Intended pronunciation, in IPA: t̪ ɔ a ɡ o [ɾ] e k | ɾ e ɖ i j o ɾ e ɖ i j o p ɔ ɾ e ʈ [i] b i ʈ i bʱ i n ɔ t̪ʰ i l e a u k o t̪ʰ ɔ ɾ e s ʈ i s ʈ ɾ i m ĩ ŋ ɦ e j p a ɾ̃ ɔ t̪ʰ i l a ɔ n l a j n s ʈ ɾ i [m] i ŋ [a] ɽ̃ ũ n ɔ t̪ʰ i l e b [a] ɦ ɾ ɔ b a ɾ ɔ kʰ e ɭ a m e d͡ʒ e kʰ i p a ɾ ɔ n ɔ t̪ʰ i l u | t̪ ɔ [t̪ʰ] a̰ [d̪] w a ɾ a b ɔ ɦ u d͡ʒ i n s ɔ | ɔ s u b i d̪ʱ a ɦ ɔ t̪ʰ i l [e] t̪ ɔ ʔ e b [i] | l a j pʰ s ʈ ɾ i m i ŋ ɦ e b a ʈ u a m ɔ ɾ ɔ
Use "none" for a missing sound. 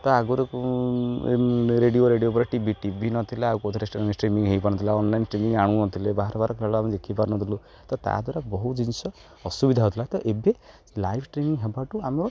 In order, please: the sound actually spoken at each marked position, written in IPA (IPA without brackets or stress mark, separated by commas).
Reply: ɾ, i, m, a, a, t̪, d̪, a, e